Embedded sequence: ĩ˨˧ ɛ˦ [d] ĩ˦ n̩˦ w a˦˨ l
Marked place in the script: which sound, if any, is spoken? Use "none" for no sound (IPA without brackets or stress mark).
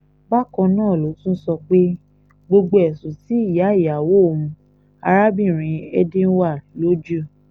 d